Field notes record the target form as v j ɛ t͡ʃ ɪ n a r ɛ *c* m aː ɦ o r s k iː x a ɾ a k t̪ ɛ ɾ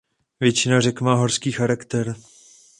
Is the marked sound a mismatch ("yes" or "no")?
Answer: yes